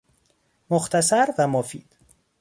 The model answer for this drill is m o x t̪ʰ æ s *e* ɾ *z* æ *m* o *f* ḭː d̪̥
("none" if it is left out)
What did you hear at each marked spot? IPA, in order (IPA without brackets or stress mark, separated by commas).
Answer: æ, v, m, f